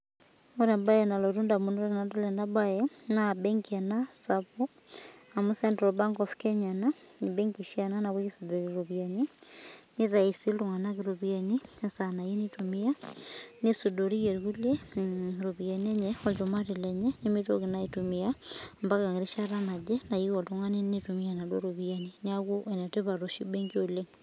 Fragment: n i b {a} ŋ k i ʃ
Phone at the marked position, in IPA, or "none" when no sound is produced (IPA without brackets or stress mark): ɛ